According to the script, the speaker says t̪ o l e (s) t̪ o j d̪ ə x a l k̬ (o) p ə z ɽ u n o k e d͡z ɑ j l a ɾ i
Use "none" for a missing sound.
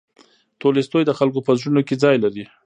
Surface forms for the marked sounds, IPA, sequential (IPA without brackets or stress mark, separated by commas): s, o